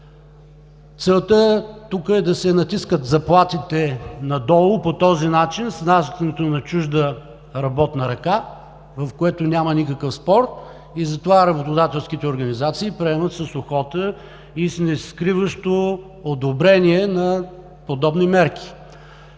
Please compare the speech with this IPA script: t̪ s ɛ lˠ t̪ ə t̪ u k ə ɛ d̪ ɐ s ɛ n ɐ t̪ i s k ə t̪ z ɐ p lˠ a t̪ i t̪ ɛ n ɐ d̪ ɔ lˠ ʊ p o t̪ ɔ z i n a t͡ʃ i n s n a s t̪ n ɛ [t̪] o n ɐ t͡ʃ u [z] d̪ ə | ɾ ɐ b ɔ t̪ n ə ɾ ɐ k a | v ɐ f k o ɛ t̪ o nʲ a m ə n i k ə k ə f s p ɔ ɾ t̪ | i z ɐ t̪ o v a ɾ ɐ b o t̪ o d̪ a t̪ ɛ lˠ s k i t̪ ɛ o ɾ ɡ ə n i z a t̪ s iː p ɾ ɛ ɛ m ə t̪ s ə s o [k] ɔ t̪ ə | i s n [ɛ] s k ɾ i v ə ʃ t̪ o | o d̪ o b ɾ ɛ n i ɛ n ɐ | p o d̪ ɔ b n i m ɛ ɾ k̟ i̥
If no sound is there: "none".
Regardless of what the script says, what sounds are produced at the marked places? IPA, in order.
t̪, ʒ, x, ɛ

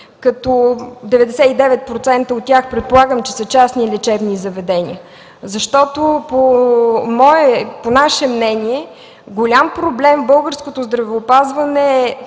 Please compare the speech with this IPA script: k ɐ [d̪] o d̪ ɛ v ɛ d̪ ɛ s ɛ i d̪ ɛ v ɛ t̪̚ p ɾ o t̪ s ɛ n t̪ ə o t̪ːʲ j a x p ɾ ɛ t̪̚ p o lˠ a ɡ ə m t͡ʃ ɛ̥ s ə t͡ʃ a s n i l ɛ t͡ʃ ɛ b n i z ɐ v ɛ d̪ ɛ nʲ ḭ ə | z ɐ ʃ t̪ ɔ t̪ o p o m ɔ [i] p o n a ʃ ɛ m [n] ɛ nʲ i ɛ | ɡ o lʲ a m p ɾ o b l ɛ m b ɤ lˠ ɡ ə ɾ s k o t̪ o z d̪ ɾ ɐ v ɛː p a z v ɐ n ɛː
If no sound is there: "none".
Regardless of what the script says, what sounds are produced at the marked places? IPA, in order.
t̪, ɛ, n

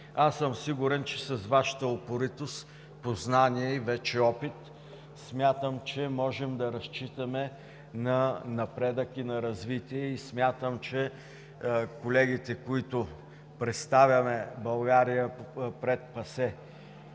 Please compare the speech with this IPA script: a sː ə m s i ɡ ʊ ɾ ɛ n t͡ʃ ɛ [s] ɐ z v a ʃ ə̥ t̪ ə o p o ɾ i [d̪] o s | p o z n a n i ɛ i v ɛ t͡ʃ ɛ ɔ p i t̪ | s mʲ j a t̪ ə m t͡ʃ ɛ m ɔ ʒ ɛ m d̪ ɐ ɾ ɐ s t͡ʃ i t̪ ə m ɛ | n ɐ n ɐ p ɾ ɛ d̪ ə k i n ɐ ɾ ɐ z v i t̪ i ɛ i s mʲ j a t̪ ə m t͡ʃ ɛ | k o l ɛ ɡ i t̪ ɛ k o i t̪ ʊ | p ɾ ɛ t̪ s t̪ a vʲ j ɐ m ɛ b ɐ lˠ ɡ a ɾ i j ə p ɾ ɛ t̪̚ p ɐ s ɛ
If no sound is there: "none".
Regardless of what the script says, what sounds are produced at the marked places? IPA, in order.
s, t̪

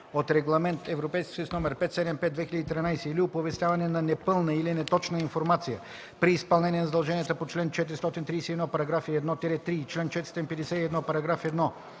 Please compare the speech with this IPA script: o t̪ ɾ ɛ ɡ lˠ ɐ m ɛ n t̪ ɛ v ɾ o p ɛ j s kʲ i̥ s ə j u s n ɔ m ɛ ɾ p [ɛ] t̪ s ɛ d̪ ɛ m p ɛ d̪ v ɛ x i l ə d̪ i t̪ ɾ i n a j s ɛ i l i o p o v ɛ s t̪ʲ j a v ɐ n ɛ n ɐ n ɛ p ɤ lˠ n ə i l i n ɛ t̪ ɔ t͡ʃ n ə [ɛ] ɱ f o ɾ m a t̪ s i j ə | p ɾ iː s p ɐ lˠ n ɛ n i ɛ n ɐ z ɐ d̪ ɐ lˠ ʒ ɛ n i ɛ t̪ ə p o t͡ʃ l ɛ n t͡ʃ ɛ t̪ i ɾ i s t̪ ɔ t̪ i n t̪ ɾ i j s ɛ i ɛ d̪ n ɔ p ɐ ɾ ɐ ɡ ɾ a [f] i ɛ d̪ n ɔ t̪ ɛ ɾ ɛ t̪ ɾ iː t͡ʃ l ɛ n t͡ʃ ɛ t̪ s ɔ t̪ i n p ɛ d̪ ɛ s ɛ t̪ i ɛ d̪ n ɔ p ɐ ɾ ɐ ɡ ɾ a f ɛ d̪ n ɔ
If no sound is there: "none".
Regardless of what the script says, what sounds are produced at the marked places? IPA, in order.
ɛ, i, f

